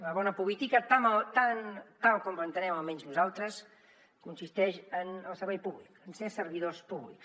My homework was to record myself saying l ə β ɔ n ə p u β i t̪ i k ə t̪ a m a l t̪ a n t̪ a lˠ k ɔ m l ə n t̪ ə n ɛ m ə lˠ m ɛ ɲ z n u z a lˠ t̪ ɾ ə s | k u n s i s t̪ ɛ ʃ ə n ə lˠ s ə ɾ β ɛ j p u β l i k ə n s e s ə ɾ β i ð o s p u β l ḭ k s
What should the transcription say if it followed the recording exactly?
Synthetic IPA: l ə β ɔ n ə p u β i t̪ i k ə t̪ a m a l t̪ a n t̪ a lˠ k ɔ m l ə n t̪ ə n ɛ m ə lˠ m ɛ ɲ z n u z a lˠ t̪ ɾ ə s | k u n s i s t̪ ɛ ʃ ə n ə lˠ s ə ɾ β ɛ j p u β l i k ə n s e s ə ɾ β i ð o s p u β l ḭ k s